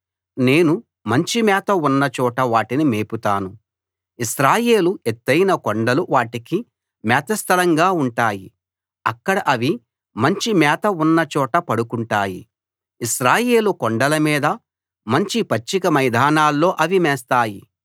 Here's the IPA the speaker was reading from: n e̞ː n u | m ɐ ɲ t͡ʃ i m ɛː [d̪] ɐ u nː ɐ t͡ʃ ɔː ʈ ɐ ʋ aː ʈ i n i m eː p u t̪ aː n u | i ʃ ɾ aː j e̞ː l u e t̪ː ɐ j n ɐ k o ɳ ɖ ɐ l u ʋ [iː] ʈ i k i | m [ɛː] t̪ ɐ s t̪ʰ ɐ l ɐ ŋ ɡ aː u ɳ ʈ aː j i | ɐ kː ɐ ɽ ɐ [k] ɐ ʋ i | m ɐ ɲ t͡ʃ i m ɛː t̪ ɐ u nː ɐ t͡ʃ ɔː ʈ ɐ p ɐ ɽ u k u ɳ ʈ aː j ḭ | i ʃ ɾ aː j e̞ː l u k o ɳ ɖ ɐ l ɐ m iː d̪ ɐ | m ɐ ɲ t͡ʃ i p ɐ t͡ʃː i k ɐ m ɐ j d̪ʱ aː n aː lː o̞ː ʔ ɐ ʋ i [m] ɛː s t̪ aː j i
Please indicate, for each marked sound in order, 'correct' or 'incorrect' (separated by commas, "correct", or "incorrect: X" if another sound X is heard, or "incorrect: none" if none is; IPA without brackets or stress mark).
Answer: incorrect: t̪, incorrect: aː, correct, incorrect: ʔ, correct